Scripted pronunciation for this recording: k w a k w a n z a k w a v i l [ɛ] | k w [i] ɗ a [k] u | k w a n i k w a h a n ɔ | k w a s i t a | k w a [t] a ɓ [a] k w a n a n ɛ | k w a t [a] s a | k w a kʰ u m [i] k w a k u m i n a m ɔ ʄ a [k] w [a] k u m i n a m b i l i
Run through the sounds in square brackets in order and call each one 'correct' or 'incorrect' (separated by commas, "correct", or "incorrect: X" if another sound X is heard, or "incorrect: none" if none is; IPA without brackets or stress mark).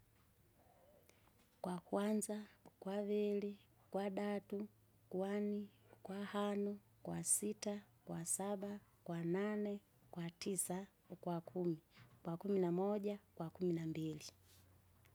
incorrect: i, incorrect: a, incorrect: t, incorrect: s, correct, incorrect: i, correct, correct, correct